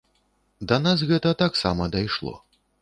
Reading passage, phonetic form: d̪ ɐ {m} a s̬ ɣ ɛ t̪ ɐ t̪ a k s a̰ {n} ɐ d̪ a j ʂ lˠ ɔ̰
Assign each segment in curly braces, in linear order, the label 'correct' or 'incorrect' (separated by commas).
incorrect, incorrect